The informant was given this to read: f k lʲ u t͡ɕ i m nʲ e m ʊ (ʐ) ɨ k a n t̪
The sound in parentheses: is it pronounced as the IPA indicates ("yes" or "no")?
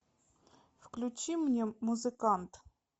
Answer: no